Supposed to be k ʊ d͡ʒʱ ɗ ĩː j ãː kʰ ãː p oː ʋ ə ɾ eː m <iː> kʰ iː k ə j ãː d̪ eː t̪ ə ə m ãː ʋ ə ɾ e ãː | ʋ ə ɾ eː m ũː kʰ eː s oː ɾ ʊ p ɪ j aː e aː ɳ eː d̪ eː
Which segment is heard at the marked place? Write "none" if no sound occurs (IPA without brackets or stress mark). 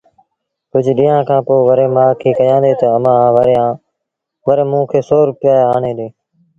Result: aː